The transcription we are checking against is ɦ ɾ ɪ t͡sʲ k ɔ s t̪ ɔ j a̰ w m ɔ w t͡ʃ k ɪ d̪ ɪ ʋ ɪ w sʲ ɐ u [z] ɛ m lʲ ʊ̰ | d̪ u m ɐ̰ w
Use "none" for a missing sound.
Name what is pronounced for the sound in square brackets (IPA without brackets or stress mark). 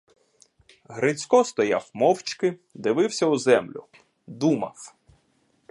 z